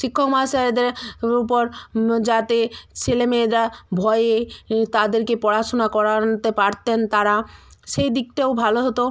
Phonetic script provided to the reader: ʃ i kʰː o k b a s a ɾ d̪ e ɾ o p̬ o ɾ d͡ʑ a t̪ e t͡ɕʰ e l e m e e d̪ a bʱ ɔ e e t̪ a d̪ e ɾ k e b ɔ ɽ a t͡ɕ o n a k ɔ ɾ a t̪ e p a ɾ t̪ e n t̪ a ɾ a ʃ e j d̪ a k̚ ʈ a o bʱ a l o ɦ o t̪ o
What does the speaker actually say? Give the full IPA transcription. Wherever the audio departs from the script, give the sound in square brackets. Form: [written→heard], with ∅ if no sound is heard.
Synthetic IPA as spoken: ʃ i kʰː o k [b→m] a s a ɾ d̪ e ɾ [o→u] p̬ o ɾ d͡ʑ a t̪ e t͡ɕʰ e l e m e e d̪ a bʱ ɔ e e t̪ a d̪ e ɾ k e [b→p] ɔ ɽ a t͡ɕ o n a k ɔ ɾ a t̪ e p a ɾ t̪ e n t̪ a ɾ a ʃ e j d̪ [a→i] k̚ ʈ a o bʱ a l o ɦ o t̪ o